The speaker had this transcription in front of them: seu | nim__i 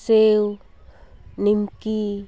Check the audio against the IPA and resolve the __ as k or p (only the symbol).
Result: k